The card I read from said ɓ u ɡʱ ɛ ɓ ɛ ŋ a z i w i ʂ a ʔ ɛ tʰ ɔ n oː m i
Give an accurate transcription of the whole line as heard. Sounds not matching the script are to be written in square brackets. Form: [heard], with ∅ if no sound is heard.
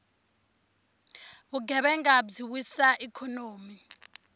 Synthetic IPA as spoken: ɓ u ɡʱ ɛ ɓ ɛ ŋ a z i w i [s] a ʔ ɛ [kʰ] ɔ n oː m i